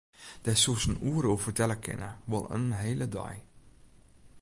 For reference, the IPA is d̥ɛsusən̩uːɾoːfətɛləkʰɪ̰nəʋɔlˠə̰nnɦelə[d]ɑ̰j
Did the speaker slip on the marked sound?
no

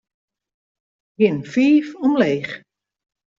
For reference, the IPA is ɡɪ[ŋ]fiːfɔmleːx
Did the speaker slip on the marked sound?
yes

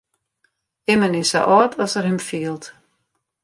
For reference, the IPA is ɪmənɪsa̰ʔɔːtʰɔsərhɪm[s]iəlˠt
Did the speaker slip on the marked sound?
yes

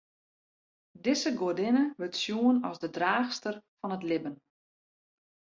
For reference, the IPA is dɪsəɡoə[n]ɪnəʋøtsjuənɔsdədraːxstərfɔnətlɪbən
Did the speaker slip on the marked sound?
yes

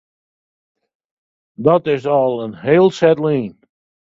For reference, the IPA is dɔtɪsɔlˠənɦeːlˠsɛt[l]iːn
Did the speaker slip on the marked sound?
no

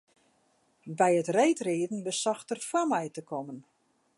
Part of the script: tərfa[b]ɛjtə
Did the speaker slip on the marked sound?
yes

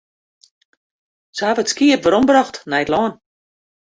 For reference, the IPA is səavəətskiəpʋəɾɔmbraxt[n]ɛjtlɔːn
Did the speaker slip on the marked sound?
no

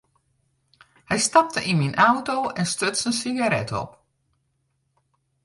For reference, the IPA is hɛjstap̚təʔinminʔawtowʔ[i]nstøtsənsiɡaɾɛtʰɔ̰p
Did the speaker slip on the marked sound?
yes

